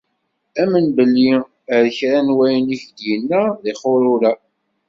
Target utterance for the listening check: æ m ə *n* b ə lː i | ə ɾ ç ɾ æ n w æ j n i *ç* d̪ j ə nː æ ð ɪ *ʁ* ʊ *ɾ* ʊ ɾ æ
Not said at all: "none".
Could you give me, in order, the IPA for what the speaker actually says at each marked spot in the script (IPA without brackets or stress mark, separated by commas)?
n, ç, χ, ɾ